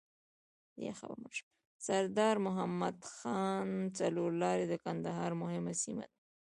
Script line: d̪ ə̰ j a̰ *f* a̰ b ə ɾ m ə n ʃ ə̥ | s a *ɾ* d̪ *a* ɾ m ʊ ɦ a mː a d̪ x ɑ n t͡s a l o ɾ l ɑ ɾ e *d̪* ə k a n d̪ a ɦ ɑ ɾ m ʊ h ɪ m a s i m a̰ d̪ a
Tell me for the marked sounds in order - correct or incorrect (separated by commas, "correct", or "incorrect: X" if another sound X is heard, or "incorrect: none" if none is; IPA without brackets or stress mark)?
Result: incorrect: x, correct, incorrect: ɑ, correct